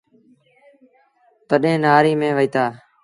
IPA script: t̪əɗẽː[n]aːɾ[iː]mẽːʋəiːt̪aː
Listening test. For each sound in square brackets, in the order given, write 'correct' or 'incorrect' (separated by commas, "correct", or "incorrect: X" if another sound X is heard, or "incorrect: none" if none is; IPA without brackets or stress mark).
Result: correct, correct